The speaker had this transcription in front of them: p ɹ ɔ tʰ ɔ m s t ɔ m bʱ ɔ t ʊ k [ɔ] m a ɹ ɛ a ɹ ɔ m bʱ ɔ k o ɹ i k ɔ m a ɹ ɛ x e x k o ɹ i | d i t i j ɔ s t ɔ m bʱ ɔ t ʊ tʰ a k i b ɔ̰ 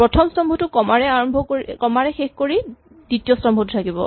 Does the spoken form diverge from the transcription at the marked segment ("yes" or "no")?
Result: no